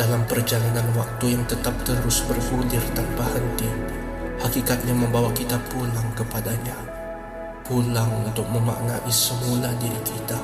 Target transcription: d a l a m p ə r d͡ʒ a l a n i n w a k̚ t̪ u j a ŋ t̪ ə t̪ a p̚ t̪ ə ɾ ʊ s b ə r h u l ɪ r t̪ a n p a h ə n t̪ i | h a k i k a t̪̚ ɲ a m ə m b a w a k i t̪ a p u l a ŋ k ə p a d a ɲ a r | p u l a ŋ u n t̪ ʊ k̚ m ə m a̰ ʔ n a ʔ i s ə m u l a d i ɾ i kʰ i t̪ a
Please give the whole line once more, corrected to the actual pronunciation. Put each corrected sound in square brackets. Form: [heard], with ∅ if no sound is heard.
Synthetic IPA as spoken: d a l a m p ə r d͡ʒ a l a n [a] n w a k̚ t̪ u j a ŋ t̪ ə t̪ a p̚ t̪ ə ɾ ʊ s b ə r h u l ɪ r t̪ a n p a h ə n t̪ i | h a k i k a t̪̚ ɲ a m ə m b a w a k i t̪ a p u l a ŋ k ə p a d a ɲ a [∅] | p u l a ŋ u n t̪ ʊ k̚ m ə m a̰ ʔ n a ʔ i s ə m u l a d i ɾ i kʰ i t̪ a